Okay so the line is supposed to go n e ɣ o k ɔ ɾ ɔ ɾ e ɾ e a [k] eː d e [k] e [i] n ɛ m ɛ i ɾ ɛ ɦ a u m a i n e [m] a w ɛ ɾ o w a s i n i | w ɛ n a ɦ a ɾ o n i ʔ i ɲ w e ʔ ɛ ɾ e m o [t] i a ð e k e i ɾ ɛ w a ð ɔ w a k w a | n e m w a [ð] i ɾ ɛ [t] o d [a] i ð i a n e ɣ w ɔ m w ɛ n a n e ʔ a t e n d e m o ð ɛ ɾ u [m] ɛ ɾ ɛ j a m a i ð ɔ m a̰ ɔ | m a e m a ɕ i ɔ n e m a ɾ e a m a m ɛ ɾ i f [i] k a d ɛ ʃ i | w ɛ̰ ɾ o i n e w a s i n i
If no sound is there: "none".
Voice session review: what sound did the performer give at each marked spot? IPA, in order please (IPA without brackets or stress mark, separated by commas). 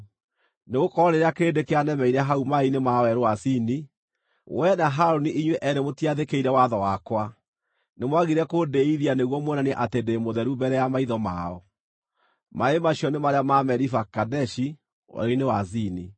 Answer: k, k, a, m, t, ɣ, k, e, b, a